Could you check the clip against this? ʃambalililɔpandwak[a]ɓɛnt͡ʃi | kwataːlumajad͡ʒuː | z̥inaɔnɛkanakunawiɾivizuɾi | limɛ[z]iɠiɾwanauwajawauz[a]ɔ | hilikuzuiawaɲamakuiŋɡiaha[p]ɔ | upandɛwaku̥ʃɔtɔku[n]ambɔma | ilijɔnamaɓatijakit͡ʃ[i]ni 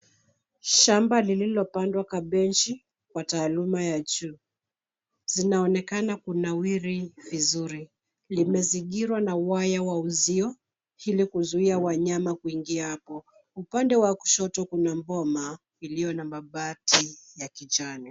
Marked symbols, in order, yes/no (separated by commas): yes, yes, no, yes, yes, no